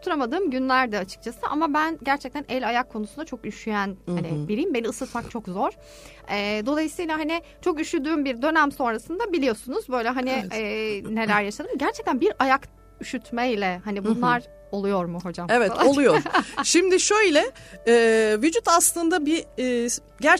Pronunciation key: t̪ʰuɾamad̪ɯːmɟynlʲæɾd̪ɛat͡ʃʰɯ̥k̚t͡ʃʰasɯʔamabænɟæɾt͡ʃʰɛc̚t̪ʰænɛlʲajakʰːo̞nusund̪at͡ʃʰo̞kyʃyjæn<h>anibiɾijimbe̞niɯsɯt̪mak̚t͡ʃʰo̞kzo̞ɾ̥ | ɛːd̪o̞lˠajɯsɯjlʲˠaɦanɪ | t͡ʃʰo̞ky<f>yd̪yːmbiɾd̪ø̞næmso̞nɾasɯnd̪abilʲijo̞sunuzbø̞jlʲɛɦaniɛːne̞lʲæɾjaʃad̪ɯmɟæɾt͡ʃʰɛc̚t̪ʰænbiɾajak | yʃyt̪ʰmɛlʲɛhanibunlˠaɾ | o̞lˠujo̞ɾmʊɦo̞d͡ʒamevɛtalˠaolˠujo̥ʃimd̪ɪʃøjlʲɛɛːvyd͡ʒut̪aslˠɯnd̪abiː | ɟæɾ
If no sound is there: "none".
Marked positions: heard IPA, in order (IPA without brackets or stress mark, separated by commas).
h, ʃ